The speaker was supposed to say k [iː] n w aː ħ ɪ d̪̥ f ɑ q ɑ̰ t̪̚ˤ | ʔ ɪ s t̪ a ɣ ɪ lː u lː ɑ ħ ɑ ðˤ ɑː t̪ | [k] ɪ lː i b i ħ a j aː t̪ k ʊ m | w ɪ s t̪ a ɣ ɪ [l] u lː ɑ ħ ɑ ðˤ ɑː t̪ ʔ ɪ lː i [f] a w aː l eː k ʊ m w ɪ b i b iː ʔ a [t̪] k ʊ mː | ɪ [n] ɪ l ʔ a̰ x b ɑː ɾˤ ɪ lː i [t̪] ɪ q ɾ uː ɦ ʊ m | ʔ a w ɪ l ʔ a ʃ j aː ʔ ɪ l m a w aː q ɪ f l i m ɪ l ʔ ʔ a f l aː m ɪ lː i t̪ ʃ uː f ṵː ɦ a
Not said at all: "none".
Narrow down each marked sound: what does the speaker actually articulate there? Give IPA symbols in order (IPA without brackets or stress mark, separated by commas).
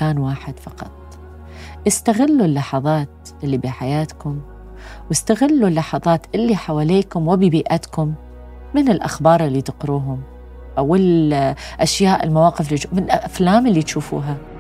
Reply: aː, ʔ, lː, ħ, t̪, n, t̪